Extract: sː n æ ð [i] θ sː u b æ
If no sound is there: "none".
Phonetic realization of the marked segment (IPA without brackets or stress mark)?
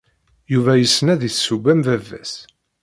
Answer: i